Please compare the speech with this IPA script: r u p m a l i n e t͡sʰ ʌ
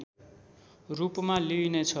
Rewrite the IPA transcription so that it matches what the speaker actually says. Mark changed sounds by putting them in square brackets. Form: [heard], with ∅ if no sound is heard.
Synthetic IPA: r u p m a l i n e t͡sʰ ʌ